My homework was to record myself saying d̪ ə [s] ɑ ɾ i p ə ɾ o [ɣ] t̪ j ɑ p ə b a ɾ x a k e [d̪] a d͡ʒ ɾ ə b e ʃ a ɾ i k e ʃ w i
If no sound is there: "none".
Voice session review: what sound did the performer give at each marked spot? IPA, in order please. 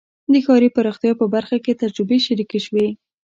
x, x, t̪

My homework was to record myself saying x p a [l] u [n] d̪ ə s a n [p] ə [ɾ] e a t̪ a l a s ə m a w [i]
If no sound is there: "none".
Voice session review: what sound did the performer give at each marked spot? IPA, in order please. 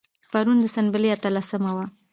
ɾ, n, b, l, a

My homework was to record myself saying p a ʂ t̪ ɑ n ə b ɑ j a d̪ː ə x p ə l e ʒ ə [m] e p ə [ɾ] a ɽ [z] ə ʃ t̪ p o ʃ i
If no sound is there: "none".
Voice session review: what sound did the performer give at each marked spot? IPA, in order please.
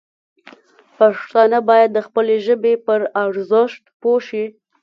b, ɾ, z

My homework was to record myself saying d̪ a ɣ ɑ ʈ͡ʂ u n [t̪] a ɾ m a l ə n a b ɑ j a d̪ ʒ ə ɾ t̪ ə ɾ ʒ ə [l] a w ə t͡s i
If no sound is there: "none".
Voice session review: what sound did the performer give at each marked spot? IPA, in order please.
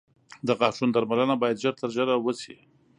d̪, ɾ

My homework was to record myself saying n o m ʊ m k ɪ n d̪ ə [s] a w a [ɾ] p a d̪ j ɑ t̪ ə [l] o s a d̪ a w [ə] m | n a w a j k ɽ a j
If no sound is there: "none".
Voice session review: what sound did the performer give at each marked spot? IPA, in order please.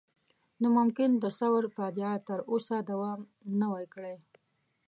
s, ɾ, ɾ, ɑ

